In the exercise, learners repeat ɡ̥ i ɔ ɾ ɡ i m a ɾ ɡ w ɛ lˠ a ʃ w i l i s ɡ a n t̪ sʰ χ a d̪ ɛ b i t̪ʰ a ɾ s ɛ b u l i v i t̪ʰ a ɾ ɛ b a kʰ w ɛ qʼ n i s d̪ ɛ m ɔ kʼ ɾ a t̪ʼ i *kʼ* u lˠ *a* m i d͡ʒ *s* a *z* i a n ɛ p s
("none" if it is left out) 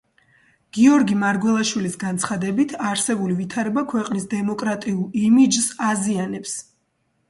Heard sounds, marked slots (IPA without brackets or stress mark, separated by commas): none, i, s, z